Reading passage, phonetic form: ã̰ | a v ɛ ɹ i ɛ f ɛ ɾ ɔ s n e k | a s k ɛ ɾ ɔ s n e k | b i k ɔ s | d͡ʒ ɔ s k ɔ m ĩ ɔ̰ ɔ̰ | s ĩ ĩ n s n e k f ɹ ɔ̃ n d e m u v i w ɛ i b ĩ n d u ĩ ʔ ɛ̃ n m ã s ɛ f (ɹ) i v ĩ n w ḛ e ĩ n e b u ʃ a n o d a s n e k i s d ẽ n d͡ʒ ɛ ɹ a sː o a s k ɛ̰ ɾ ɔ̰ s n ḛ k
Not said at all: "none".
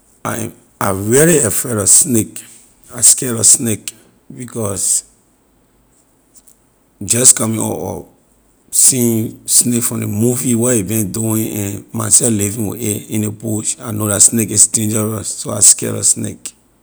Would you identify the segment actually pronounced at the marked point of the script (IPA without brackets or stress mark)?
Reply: l